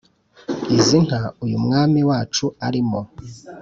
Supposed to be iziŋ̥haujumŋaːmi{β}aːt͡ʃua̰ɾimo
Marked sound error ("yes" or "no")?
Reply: yes